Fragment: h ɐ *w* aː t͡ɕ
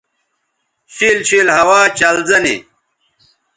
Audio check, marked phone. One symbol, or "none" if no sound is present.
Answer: w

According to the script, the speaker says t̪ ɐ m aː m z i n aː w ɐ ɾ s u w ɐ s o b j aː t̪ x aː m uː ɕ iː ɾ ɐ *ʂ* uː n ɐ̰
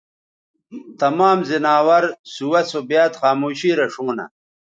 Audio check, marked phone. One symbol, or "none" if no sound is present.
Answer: ʂ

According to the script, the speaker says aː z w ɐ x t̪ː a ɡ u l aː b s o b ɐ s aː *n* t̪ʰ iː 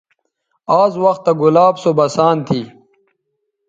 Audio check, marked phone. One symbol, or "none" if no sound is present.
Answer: n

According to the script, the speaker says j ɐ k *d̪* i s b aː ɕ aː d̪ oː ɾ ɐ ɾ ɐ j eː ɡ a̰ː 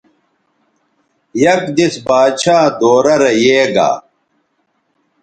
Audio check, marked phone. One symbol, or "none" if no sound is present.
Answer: d̪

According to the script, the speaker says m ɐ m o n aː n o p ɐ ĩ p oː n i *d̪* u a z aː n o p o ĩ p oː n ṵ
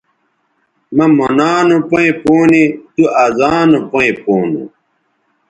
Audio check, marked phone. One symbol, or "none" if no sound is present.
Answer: t̪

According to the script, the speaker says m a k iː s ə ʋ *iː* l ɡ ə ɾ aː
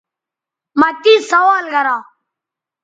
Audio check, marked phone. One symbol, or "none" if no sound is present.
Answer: aː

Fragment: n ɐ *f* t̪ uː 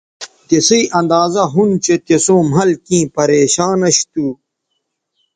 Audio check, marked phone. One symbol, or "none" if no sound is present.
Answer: ɕ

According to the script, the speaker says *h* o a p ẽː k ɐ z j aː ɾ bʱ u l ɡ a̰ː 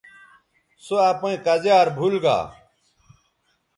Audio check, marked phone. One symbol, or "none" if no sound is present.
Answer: s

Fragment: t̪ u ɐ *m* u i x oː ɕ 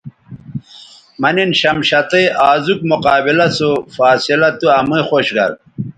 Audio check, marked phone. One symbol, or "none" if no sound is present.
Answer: m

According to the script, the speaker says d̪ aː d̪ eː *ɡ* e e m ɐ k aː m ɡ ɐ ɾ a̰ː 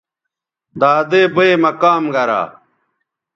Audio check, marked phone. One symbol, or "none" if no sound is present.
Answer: b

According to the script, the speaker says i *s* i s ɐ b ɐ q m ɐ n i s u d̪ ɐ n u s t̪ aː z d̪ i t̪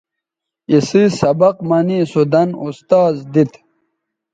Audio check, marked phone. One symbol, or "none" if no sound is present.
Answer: s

